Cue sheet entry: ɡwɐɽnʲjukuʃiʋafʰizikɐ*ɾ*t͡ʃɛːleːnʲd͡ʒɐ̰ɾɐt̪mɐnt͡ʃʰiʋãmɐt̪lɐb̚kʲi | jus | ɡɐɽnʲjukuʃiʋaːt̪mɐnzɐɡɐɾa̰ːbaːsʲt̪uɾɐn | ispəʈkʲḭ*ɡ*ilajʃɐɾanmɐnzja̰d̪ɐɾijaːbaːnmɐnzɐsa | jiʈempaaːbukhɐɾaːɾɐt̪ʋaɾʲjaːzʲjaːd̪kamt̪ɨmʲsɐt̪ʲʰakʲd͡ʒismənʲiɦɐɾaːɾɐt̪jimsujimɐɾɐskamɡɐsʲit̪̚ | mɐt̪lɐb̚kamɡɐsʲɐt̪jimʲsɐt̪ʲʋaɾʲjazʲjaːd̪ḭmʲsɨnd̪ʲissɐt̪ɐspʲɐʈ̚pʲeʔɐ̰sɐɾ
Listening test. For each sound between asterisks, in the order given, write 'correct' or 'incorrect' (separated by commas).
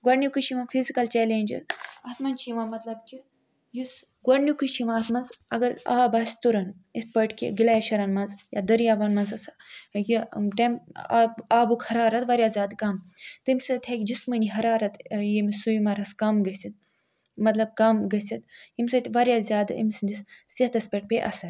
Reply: incorrect, correct